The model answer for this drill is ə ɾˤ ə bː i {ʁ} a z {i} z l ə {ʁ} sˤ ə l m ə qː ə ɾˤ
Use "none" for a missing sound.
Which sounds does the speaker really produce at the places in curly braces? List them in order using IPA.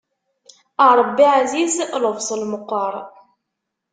ʕ, i, v

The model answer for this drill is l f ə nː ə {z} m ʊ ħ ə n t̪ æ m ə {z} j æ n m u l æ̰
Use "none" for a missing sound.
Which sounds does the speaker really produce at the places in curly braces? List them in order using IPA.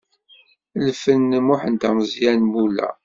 none, z

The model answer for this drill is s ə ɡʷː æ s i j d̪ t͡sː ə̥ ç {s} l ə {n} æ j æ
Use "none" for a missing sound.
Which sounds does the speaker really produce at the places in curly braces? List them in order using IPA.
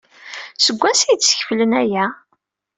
f, n

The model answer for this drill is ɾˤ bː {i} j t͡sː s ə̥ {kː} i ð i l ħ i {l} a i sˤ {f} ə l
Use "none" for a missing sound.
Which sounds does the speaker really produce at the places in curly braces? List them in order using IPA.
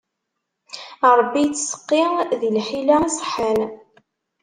i, qː, l, ħ

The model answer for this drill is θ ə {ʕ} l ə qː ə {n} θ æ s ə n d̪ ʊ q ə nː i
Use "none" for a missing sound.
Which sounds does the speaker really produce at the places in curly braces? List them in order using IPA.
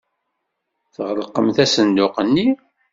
ʁ, m

